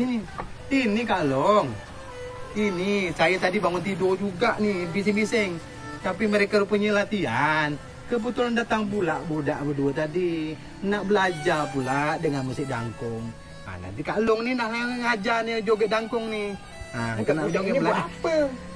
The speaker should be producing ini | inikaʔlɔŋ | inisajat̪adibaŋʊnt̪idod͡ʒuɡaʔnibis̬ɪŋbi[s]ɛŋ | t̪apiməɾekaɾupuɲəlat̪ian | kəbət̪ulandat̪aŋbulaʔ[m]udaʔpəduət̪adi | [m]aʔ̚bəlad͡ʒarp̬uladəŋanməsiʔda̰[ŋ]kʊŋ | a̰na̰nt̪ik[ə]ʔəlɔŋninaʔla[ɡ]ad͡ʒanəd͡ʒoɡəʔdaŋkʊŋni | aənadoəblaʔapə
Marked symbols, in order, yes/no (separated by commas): yes, no, no, yes, no, no